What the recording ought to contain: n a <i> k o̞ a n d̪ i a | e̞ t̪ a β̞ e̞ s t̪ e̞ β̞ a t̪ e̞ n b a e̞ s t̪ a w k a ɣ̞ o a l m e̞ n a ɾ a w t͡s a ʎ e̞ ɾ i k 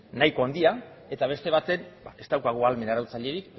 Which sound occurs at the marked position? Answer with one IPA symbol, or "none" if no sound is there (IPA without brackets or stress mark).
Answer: j